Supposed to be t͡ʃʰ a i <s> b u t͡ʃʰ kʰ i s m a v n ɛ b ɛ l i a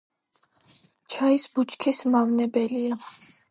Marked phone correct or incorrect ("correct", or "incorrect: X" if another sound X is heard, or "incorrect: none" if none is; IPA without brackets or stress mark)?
correct